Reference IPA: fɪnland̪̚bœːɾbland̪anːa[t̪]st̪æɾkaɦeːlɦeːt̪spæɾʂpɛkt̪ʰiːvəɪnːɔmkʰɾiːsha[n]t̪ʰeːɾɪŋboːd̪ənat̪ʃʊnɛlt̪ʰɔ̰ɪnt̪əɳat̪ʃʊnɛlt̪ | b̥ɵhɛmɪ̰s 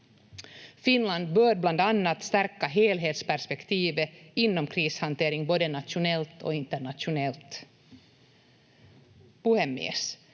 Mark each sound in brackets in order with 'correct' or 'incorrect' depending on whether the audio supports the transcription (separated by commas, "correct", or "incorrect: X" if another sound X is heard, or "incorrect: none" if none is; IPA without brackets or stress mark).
correct, correct